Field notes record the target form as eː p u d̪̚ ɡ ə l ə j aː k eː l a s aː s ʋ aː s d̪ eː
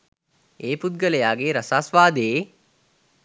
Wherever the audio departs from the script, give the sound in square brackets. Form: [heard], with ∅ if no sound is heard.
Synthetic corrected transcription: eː p u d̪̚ ɡ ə l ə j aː [ɡ] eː [ɾ] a s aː s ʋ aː [∅] d̪ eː